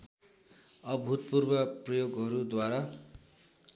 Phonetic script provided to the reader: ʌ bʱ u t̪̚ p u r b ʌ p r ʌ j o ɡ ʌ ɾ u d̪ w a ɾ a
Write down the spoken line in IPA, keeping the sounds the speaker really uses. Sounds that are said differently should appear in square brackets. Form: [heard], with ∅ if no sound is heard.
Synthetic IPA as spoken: ʌ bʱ u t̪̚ p u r b ʌ p r ʌ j o ɡ ʌ ɾ u d̪ w a ɾ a